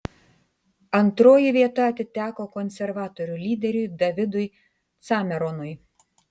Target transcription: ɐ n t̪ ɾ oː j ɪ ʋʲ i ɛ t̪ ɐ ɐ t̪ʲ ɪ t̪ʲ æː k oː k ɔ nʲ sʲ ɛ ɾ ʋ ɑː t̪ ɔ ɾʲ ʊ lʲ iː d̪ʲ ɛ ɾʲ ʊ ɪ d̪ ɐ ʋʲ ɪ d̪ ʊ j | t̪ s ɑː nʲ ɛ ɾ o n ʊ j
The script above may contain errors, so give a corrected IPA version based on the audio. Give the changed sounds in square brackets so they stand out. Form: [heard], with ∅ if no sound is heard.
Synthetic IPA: ɐ n t̪ ɾ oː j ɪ ʋʲ i ɛ t̪ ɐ ɐ t̪ʲ ɪ t̪ʲ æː k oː k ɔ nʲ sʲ ɛ ɾ ʋ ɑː t̪ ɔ ɾʲ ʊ lʲ iː d̪ʲ ɛ ɾʲ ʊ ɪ d̪ ɐ ʋʲ ɪ d̪ ʊ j | t̪ s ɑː [mʲ] ɛ ɾ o n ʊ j